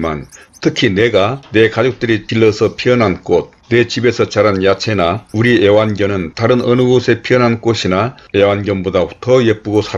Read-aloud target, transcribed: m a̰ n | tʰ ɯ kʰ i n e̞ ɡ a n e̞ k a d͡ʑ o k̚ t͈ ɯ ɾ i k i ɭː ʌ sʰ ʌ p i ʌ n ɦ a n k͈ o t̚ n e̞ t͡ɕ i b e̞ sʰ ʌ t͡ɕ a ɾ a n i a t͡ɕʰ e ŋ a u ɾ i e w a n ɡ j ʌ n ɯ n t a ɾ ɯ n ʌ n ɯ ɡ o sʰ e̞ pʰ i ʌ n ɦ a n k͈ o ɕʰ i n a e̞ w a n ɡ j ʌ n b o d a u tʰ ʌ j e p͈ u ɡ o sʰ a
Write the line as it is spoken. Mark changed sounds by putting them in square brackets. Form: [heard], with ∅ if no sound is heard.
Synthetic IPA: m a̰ n | tʰ ɯ kʰ i n e̞ ɡ a n e̞ k a d͡ʑ o k̚ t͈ ɯ ɾ i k i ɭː ʌ sʰ ʌ [pʰ] i ʌ n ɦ a n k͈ o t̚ n e̞ t͡ɕ i b e̞ sʰ ʌ t͡ɕ a ɾ a n [j] a t͡ɕʰ e [n] a u ɾ i e w a n ɡ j ʌ n ɯ n t a ɾ ɯ n ʌ n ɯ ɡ o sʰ e̞ pʰ i ʌ n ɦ a n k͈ o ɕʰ i n a e̞ w a n ɡ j ʌ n b o d a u tʰ ʌ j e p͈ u ɡ o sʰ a